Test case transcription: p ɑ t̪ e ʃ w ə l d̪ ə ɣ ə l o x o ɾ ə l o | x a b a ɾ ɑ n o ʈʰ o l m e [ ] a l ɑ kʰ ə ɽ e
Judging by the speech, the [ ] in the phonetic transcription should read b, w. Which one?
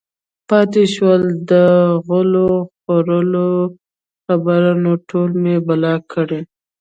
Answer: b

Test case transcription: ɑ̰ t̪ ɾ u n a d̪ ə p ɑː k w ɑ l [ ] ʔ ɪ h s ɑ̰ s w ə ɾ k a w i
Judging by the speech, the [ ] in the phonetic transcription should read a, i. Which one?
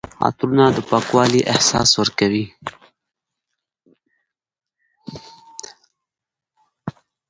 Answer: i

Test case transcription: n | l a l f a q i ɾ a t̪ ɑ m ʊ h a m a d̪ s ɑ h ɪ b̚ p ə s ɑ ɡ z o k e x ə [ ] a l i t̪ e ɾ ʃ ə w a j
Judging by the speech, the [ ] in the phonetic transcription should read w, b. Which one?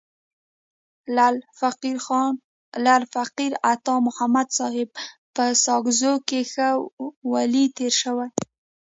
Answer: w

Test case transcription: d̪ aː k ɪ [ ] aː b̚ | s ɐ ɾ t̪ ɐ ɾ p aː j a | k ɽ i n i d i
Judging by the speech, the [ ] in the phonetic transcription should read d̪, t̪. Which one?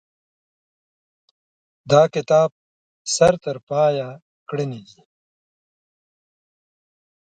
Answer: t̪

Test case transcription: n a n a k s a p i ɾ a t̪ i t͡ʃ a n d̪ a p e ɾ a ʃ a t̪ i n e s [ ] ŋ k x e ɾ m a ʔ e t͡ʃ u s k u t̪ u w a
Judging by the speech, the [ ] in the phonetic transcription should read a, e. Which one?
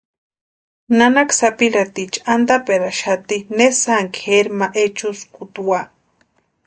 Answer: a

